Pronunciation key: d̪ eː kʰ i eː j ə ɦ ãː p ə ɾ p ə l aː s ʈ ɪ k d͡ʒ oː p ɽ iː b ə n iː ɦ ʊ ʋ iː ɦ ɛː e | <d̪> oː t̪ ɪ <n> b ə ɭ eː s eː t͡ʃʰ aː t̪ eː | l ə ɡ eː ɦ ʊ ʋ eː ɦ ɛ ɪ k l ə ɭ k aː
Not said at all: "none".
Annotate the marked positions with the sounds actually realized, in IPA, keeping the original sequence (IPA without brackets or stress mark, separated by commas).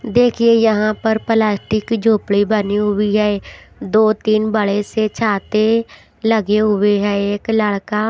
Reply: d̪, n